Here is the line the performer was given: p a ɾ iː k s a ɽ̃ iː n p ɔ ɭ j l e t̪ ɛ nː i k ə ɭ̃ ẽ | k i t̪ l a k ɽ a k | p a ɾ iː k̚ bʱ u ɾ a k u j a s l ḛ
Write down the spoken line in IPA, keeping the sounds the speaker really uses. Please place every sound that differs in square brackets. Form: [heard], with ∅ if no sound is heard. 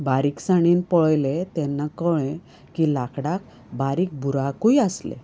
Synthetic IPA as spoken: [b] a ɾ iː k s a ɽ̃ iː n p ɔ ɭ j l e t̪ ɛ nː [a] k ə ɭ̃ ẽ | k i [∅] l a k ɽ a k | [b] a ɾ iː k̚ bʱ u ɾ a k u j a s l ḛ